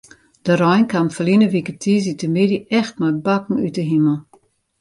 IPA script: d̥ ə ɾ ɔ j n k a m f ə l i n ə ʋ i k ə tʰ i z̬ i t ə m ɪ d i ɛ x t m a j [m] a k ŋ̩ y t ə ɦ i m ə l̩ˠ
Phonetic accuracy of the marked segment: incorrect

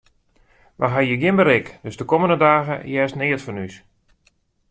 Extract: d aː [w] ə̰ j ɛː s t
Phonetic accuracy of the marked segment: incorrect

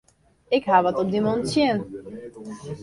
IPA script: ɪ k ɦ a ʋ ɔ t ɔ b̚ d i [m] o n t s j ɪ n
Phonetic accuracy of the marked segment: correct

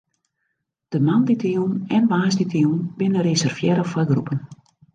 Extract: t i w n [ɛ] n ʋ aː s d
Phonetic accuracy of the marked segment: correct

